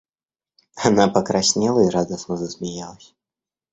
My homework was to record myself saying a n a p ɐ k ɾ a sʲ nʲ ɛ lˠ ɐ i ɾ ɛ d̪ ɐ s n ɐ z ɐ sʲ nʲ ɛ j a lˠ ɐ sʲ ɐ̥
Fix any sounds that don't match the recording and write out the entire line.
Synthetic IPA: a n a p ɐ k ɾ a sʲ nʲ ɛ lˠ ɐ i ɾ a d̪ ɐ s n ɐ z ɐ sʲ mʲ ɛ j a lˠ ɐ sʲ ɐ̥